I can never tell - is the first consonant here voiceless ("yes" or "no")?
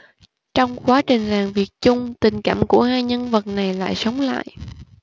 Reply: yes